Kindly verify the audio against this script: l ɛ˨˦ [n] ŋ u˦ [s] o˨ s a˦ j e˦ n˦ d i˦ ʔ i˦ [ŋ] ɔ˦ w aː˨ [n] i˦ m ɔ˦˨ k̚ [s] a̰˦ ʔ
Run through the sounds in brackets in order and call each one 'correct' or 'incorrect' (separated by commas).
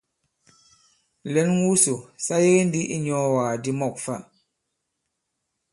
correct, correct, incorrect, incorrect, incorrect